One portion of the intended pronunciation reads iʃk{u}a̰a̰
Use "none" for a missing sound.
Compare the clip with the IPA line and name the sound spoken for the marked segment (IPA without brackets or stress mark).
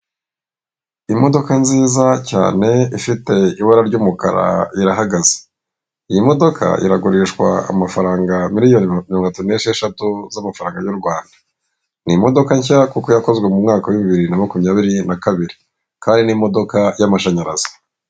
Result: w